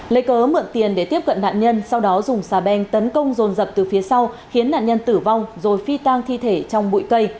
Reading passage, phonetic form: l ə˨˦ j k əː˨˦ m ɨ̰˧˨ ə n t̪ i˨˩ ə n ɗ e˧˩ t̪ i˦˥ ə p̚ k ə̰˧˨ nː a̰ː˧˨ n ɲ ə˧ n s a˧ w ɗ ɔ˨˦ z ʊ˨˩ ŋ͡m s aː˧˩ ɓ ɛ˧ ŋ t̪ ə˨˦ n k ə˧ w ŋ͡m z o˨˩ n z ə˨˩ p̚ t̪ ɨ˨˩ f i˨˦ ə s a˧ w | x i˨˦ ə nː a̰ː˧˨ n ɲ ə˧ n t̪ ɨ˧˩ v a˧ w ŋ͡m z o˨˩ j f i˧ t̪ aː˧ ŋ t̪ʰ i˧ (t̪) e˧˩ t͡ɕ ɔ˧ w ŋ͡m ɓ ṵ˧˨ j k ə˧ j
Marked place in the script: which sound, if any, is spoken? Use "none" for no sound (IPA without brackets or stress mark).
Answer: t̪ʰ